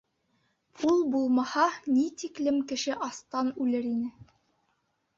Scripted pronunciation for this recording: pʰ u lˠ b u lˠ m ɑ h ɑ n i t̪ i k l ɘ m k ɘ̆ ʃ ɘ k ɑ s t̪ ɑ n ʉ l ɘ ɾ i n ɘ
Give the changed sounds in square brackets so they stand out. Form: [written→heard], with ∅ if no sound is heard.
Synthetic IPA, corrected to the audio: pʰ u lˠ b u lˠ m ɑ h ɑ n i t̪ i k l ɘ m k ɘ̆ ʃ ɘ [k→ʔ] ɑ s t̪ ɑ n ʉ l ɘ ɾ i n ɘ